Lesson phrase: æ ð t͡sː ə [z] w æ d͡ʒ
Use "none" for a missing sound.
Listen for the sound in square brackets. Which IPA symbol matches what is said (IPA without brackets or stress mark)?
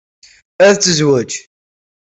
z